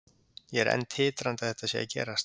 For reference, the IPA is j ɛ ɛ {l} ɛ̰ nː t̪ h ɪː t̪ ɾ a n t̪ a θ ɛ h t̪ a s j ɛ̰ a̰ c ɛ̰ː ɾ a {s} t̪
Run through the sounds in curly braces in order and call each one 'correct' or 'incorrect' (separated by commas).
incorrect, correct